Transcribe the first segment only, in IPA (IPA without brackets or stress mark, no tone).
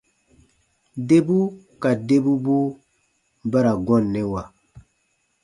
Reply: d